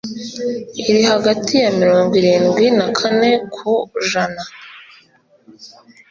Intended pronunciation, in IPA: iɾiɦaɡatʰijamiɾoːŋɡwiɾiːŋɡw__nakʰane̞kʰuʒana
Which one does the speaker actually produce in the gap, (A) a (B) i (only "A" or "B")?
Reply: B